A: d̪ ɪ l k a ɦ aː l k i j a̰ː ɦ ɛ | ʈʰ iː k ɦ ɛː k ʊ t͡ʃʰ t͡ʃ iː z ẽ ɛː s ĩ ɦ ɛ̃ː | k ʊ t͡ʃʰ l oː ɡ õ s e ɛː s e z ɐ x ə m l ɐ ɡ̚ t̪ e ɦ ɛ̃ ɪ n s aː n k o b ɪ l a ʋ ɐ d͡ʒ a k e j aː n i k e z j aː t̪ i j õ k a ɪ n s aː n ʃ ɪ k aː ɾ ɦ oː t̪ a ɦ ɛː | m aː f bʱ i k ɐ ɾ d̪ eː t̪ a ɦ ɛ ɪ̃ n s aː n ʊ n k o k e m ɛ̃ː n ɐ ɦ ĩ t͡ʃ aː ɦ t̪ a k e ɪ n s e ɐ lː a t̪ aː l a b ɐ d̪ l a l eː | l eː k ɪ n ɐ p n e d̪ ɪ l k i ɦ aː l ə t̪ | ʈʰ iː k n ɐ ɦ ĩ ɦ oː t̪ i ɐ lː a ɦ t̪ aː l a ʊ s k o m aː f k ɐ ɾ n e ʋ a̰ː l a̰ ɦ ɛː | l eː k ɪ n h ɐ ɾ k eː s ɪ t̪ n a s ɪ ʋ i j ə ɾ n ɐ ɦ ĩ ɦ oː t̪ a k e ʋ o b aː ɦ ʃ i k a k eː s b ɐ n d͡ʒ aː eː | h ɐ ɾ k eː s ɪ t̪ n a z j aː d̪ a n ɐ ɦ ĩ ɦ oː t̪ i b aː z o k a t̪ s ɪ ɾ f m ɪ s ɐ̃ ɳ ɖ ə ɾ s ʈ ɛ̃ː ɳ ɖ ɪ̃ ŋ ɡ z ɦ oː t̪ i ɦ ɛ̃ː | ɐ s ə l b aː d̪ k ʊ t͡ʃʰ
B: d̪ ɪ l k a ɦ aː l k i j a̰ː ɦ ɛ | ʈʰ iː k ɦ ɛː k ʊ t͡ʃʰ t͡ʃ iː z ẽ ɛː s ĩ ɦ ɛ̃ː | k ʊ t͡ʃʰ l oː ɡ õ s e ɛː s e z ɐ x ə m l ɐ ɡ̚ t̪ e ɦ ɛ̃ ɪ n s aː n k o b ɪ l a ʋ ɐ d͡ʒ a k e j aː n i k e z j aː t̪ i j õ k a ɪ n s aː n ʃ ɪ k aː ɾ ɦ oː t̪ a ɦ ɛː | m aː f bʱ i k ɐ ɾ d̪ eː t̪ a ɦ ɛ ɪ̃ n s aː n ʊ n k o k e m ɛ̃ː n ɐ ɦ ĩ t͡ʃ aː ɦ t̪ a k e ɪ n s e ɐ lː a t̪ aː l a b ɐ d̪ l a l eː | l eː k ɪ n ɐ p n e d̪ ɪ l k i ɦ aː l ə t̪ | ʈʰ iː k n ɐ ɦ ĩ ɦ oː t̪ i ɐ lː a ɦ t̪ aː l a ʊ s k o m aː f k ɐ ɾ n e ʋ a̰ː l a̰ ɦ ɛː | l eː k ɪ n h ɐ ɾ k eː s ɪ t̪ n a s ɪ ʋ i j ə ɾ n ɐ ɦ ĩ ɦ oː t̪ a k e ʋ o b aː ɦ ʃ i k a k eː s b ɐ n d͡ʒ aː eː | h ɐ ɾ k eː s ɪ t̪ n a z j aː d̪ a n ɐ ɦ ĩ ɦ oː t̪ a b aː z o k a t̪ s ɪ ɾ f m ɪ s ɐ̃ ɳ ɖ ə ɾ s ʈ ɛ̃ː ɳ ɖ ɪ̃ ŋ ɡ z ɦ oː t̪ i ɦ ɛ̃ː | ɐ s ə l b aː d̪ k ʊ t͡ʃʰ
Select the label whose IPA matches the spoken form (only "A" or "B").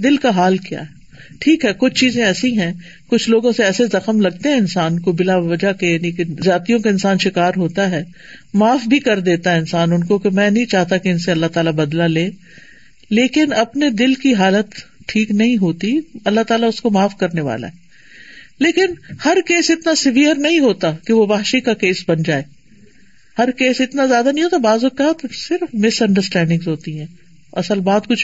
B